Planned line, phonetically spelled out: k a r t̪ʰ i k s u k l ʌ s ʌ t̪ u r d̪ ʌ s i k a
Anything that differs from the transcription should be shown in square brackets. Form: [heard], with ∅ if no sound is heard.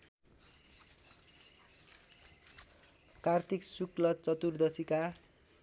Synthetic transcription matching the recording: k a r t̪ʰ i k s u k l ʌ [t͡s] ʌ t̪ u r d̪ ʌ s i k a